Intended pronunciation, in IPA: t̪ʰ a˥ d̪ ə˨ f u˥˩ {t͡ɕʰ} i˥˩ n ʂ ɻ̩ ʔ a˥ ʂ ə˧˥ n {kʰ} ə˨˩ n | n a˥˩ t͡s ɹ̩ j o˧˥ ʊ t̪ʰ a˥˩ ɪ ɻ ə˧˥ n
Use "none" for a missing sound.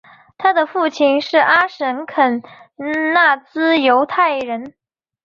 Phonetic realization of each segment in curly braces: t͡ɕʰ, kʰ

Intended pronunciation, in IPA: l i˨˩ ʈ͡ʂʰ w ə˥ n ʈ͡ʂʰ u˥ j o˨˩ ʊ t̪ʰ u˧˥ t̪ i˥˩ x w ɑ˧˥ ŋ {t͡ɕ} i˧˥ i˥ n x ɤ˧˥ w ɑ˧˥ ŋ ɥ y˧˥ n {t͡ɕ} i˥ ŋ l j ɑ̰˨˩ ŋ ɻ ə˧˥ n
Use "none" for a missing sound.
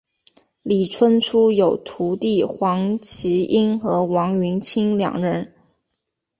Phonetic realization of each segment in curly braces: t͡ɕʰ, t͡ɕʰ

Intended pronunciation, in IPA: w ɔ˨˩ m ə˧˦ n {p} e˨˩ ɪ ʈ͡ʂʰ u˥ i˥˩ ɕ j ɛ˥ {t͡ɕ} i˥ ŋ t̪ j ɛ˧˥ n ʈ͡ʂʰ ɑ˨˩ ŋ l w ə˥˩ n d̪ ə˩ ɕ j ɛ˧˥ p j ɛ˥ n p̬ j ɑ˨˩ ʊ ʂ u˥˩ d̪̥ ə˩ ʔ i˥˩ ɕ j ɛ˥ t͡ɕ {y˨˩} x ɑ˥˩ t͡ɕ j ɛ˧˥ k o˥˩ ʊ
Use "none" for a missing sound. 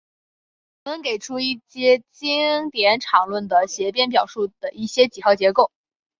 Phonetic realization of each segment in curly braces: k, t͡ɕ, i˨˩

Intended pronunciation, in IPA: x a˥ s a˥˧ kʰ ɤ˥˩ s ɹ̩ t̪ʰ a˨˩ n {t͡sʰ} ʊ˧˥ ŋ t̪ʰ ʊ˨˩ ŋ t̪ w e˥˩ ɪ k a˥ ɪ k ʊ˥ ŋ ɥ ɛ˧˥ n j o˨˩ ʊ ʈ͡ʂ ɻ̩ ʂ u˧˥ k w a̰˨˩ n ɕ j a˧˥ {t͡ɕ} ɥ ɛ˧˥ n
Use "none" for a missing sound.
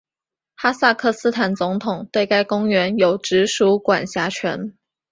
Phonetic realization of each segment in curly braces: t͡s, t͡ɕʰ

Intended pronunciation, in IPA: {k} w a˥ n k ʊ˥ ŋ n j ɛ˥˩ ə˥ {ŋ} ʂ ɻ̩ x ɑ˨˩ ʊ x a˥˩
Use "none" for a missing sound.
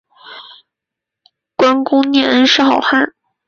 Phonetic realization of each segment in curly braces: k, n

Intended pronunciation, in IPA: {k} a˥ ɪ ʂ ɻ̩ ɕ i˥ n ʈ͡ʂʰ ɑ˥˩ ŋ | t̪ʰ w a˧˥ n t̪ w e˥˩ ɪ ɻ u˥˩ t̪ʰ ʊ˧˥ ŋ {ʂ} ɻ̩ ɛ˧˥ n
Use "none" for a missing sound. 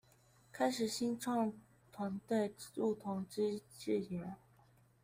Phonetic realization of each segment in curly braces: kʰ, ʈ͡ʂ

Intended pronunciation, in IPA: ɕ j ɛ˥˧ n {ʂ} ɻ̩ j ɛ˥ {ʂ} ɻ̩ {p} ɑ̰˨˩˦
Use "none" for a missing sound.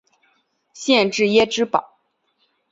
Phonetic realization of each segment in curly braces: ʈ͡ʂ, ʈ͡ʂ, p

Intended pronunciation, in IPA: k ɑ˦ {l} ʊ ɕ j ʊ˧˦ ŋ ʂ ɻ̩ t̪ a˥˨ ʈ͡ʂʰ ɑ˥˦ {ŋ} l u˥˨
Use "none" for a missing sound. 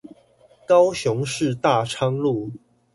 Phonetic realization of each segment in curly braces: none, ŋ

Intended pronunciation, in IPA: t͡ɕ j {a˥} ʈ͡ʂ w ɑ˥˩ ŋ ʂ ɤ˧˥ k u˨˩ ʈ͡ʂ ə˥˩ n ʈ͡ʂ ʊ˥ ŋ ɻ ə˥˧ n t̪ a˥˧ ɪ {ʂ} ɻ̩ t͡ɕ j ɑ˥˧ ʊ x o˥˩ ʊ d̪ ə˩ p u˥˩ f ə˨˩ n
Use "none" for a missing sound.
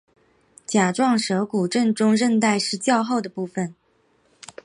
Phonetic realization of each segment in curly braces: a˨˩, ʂ

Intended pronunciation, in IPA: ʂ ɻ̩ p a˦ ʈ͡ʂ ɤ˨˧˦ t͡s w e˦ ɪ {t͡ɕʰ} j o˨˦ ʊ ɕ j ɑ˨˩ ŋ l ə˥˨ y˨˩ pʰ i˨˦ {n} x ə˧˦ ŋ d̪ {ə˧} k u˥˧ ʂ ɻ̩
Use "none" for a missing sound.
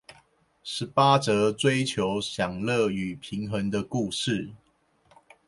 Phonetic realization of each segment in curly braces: t͡ɕʰ, ŋ, ə˧

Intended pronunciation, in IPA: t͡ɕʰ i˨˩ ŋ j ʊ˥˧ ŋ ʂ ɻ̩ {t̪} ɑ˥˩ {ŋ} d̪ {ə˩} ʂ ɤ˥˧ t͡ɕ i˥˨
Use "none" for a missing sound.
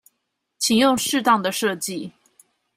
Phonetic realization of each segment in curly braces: t̪, ŋ, ə˩

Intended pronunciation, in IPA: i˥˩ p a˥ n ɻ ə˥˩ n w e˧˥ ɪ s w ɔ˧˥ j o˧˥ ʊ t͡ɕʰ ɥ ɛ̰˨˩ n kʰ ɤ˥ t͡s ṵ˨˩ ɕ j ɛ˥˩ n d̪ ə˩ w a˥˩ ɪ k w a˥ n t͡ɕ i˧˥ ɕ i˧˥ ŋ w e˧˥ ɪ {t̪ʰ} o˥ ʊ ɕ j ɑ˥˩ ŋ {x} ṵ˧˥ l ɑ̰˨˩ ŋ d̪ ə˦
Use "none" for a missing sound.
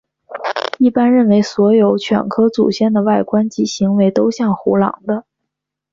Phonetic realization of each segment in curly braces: t̪, x

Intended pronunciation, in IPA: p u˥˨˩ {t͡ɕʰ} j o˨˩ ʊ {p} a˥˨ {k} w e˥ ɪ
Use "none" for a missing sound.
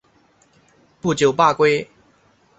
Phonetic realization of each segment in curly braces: t͡ɕ, p, k

